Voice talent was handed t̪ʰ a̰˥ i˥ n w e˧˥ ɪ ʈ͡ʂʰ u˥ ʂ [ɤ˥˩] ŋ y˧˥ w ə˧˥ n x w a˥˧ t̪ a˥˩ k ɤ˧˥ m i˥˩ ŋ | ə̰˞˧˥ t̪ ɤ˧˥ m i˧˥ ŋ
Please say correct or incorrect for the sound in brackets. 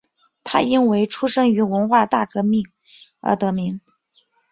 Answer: incorrect